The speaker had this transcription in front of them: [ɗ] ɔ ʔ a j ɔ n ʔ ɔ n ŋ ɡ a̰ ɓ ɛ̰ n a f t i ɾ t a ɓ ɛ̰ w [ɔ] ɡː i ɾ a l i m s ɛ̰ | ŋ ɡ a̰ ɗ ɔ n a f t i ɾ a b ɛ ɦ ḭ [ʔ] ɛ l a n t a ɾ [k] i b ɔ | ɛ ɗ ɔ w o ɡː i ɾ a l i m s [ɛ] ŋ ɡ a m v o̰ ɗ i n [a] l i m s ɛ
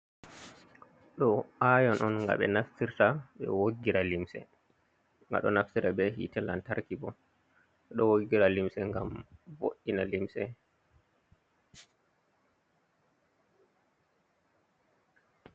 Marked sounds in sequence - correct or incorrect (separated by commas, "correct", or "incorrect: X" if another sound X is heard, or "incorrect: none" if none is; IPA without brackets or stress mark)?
correct, incorrect: o, incorrect: t, correct, correct, correct